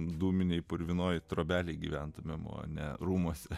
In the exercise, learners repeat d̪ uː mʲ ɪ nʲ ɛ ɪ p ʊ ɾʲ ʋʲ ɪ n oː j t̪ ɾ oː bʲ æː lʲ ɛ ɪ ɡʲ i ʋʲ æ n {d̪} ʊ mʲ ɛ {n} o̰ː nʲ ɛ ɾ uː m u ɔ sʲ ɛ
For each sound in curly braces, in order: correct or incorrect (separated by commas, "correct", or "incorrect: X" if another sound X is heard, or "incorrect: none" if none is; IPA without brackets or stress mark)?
incorrect: t̪, incorrect: m